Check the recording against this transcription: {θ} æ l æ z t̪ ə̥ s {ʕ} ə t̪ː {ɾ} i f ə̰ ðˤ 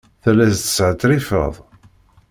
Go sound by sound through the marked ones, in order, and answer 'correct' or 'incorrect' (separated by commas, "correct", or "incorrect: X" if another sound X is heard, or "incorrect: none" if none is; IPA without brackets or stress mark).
correct, correct, correct